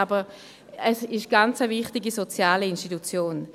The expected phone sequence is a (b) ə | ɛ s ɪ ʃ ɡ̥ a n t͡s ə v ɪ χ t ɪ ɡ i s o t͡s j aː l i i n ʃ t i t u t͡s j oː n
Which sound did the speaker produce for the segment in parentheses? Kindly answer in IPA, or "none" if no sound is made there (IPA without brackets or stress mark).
b